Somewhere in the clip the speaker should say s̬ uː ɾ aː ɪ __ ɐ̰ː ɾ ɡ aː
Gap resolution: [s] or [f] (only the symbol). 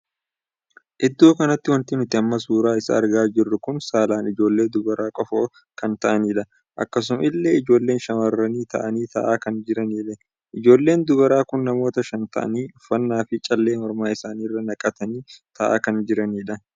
s